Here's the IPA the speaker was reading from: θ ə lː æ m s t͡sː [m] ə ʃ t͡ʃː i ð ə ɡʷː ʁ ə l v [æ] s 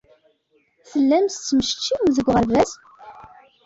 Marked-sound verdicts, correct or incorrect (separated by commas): correct, correct